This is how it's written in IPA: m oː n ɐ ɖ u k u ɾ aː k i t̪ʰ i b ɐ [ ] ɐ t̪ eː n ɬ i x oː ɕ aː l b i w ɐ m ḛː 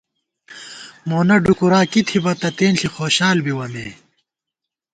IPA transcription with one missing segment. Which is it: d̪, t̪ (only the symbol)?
t̪